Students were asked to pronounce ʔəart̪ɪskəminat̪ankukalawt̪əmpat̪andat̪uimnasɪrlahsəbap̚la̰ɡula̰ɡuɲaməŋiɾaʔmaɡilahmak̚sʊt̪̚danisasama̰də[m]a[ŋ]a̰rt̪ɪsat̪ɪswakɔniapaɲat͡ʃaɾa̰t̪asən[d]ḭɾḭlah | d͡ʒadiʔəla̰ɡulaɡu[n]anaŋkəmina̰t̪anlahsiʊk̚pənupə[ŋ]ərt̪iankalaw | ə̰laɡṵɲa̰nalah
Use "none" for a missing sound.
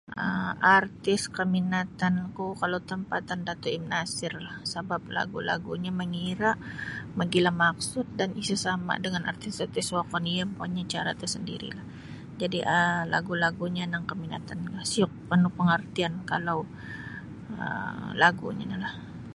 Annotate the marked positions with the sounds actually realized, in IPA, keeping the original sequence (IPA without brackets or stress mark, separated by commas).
ŋ, n, d, ɲ, ŋ